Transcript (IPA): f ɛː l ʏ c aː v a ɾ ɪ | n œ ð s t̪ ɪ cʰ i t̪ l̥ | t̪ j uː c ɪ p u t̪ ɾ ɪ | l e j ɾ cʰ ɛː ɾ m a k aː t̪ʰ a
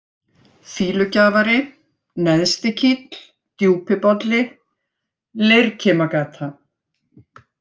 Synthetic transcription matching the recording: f iː l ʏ c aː v a ɾ ɪ | n ɛ ð s t̪ ɪ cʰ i t̪ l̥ | t̪ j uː p ɪ p ɔ t̪ l ɪ | l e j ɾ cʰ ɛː m a k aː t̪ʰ a